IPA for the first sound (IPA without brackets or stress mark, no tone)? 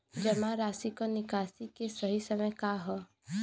d͡ʒ